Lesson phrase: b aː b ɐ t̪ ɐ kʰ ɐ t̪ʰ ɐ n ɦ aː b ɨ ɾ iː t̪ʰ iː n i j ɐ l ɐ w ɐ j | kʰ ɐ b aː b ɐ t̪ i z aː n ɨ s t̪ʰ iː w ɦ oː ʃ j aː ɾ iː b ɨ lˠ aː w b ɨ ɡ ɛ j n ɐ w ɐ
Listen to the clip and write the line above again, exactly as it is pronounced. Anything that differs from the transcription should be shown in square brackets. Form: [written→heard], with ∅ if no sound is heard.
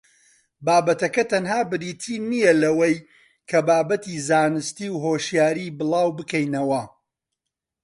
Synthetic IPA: b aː b ɐ t̪ ɐ [kʰ→k] ɐ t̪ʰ ɐ n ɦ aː b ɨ ɾ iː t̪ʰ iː n i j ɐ l ɐ w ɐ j | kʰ ɐ b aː b ɐ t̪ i z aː n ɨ s [t̪ʰ→t̪] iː w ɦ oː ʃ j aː ɾ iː b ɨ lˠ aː w b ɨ [ɡ→k] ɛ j n ɐ w ɐ